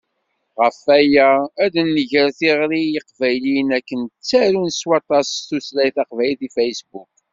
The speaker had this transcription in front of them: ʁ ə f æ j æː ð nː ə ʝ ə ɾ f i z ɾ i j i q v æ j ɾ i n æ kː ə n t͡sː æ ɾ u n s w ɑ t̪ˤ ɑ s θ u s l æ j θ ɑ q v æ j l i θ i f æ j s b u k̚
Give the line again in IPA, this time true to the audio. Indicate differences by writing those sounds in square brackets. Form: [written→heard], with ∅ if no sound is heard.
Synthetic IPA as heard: ʁ ə f æ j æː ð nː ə ʝ ə ɾ [f→θ] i [z→ʁ] ɾ i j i q v æ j [ɾ→l] i n æ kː ə n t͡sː æ ɾ u n s w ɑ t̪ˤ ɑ s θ u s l æ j θ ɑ q v æ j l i θ i f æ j s b u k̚